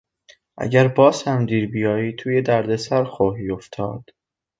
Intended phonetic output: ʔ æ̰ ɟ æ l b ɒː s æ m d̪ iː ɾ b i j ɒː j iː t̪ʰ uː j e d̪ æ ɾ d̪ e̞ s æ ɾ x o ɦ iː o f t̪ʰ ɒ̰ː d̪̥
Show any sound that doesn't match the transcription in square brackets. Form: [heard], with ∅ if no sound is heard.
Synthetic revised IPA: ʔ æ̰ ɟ æ [ɾ] b ɒː s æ m d̪ iː ɾ b i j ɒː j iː t̪ʰ uː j e d̪ æ ɾ d̪ e̞ s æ ɾ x o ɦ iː o f t̪ʰ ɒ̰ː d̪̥